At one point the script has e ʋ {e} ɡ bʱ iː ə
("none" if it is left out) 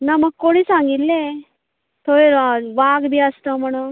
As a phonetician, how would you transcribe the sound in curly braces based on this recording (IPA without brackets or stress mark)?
a